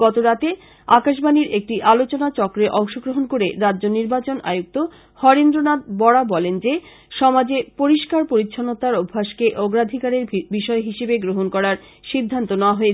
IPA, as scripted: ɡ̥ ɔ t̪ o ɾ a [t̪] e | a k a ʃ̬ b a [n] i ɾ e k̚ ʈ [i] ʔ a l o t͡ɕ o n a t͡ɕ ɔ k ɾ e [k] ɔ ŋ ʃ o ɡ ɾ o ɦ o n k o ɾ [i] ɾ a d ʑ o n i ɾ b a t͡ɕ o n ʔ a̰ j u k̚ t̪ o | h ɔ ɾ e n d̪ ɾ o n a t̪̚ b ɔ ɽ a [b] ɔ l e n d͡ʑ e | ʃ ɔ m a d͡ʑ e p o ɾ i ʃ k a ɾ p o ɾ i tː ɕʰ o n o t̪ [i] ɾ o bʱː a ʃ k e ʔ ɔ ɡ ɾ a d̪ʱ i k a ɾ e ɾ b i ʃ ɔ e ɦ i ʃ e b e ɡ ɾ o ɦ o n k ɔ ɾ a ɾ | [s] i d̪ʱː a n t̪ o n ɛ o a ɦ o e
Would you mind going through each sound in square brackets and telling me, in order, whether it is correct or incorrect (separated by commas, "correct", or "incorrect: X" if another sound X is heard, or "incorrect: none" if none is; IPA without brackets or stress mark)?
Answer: correct, correct, correct, incorrect: ʔ, incorrect: e, correct, incorrect: a, incorrect: ʃ